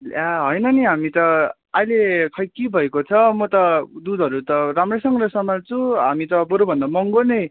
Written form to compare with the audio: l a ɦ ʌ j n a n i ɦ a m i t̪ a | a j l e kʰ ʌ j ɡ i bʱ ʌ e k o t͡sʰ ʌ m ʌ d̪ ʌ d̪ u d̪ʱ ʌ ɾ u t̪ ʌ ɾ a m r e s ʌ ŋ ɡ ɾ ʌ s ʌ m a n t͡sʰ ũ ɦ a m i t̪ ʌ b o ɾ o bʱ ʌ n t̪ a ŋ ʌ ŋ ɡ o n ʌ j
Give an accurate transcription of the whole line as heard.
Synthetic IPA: l a ɦ ʌ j n ʌ n i ɦ a m i t̪ ʌ | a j l e kʰ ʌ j k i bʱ ʌ e k o t͡sʰ ʌ m ʌ t̪ ʌ d̪ u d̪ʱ ʌ ɾ u t̪ ʌ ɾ a m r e s ʌ ŋ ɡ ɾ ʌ s ʌ m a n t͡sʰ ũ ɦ a m i t̪ ʌ b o ɾ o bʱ ʌ n d̪ a m ʌ ŋ ɡ o n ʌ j

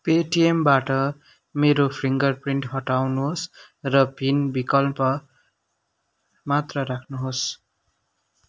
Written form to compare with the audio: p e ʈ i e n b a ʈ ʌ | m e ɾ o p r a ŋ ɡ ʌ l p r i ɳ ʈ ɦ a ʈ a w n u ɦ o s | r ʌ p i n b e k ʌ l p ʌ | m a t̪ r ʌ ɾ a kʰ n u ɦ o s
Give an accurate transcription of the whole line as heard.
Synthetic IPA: p e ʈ i e m b a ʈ ʌ | m e ɾ o pʰ r i ŋ ɡ ʌ r p r i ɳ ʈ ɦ ʌ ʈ a w n u ɦ o s | r ʌ p i n b i k ʌ l p ʌ | m a t̪ r ʌ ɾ a kʰ n u ɦ o s

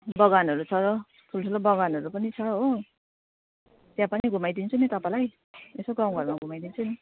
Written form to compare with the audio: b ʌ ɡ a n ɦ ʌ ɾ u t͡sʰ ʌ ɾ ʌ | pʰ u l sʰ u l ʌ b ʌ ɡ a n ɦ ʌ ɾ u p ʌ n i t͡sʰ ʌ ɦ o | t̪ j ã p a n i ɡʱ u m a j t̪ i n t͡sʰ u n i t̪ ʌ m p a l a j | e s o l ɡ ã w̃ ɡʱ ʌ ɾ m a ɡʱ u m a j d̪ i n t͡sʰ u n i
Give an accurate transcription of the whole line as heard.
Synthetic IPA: b ʌ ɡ a n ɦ ʌ ɾ u t͡sʰ ʌ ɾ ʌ | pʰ u l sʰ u l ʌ b ʌ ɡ a n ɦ ʌ ɾ u p ʌ n i t͡sʰ ʌ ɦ o | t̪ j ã p a n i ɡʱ u m a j d̪ i n t͡sʰ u n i t̪ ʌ p a l a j | e s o ɡ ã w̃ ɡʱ ʌ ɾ m a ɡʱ u m a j d̪ i n t͡sʰ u n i

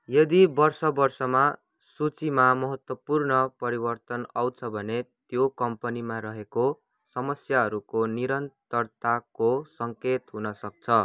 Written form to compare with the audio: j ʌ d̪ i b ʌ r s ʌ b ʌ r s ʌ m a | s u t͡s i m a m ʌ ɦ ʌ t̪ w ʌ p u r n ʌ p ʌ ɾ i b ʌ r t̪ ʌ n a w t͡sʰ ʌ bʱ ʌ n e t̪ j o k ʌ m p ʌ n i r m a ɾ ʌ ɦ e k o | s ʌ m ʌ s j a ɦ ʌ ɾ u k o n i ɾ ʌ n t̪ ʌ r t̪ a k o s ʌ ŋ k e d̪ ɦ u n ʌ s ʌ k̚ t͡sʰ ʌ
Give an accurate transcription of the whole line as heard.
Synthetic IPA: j ʌ d̪ i b ʌ r s ʌ b ʌ r s ʌ m a | s u t͡s i m a m ʌ ɦ ʌ t̪ w ʌ p u r n ʌ p ʌ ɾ i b ʌ r t̪ ʌ n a w t͡sʰ ʌ bʱ ʌ n e t̪ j o k ʌ m p ʌ n i m a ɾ ʌ ɦ e k o | s ʌ m ʌ s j a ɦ ʌ ɾ u k o n i ɾ ʌ n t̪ ʌ r t̪ a k o s ʌ ŋ k e t̪ ɦ u n ʌ s ʌ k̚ t͡sʰ ʌ

